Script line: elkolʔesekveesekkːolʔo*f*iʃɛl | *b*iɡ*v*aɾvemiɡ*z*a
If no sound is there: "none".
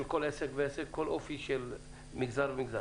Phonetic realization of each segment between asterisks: f, m, z, z

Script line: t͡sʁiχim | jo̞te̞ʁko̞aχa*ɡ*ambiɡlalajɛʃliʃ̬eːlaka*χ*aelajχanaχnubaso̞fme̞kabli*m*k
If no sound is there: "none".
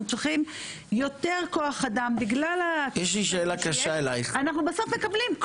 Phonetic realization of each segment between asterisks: d, ʃ, m

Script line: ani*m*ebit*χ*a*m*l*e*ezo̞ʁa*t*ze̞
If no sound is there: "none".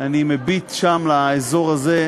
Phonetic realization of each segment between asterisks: m, ʃ, m, a, none

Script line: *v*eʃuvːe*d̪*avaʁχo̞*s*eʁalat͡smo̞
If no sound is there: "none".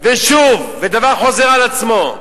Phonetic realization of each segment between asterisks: v, d̪, z

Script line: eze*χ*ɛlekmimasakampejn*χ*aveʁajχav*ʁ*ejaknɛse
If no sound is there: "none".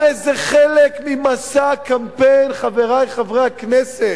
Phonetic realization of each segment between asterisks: χ, χ, ʁ

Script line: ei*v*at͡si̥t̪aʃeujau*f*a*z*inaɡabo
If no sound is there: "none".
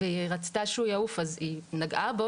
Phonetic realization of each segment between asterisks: ʁ, f, z

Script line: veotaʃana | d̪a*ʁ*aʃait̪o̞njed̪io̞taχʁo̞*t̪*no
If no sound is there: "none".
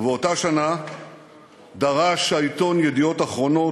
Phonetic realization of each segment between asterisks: ʁ, none

